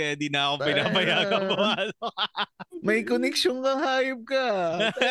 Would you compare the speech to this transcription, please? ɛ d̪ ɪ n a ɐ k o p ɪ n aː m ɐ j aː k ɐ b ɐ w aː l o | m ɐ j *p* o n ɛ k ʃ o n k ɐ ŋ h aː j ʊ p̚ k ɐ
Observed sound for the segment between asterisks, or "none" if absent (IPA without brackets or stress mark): k